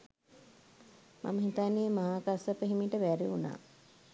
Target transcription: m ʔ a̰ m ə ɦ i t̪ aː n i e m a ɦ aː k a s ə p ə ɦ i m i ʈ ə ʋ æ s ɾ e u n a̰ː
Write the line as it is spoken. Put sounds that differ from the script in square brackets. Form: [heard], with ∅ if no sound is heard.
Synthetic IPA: m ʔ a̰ m ə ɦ i t̪ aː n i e m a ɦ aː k a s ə p ə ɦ i m i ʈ ə ʋ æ [∅] ɾ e u n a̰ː